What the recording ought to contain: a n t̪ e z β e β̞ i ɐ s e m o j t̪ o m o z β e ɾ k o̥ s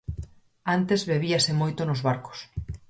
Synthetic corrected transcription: a n t̪ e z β e β̞ i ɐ s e m o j t̪ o n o z β a ɾ k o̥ s